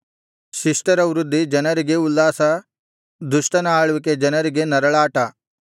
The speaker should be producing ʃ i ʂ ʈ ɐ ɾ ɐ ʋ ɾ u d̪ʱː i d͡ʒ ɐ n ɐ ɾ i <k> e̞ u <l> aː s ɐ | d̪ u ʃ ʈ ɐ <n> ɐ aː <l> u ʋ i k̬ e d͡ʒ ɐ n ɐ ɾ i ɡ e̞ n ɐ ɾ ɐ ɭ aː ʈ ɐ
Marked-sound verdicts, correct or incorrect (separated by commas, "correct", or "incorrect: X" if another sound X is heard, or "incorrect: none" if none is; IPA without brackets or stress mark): incorrect: ɡ, incorrect: lː, correct, incorrect: ɭ